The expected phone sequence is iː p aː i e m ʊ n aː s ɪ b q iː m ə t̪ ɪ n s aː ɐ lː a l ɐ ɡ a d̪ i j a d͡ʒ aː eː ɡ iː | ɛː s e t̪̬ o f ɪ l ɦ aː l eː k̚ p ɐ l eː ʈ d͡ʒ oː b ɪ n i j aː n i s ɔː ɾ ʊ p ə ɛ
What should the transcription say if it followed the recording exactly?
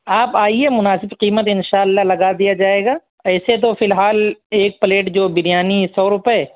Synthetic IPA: aː p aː i e m ʊ n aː s ɪ b q iː m ə t̪ ɪ n ʃ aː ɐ lː a l ɐ ɡ a d̪ i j a d͡ʒ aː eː ɡ aː | ɛː s e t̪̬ o f ɪ l ɦ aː l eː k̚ p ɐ l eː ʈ d͡ʒ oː b ɪ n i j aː n i s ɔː ɾ ʊ p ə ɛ